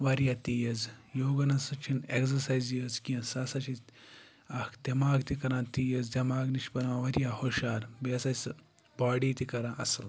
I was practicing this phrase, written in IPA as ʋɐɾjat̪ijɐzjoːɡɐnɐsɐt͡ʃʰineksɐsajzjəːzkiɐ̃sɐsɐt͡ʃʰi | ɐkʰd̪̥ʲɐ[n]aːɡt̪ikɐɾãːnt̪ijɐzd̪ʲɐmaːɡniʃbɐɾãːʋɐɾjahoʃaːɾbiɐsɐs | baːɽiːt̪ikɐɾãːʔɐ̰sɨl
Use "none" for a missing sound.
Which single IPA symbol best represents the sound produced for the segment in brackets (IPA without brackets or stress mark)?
m